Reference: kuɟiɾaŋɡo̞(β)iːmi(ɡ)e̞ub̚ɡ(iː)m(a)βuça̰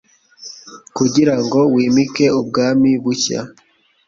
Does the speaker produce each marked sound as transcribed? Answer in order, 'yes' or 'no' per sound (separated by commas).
no, no, no, no